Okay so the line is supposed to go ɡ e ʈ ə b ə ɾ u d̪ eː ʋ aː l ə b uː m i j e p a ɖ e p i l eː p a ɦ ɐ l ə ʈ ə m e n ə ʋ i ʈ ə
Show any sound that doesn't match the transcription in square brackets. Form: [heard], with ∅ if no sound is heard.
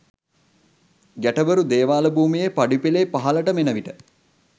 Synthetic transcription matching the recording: ɡ [æ] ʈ ə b ə ɾ u d̪ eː ʋ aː l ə b uː m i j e p a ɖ [i] p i l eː p a ɦ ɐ l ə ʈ ə m e n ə ʋ i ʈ ə